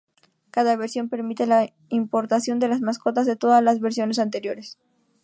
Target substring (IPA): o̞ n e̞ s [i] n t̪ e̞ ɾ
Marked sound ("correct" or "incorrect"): incorrect